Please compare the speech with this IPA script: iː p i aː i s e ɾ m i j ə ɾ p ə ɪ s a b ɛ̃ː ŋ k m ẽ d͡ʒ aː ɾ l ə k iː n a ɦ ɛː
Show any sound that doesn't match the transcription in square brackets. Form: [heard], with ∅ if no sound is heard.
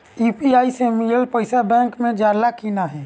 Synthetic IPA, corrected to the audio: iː p i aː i s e [∅] m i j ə [l] p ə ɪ s a b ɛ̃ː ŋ k m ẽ d͡ʒ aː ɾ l [a] k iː n a ɦ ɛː